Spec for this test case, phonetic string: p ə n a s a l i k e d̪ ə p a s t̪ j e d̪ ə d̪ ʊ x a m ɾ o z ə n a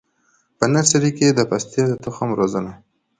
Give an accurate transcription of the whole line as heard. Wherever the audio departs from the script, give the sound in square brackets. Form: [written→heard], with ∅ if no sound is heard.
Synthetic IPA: p ə n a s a [l→ɾ] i k e d̪ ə p a s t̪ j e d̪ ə [d̪→t̪] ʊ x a m ɾ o z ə n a